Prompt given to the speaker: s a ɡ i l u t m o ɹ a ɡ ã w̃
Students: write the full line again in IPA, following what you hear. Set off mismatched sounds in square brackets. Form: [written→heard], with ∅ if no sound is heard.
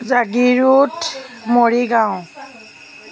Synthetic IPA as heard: [s→z] a ɡ i [l→ɹ] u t m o ɹ [a→i] ɡ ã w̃